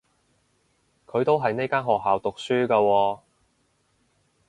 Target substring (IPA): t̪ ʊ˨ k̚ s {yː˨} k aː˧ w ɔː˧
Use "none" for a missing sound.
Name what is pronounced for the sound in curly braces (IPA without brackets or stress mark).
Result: yː˥